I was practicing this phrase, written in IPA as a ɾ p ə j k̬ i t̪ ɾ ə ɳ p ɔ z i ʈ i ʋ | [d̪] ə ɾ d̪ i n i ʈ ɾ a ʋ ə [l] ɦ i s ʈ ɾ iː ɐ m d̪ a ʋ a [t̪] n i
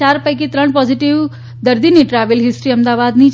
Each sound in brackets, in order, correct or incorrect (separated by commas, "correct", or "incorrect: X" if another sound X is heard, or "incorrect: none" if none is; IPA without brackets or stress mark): correct, correct, incorrect: d̪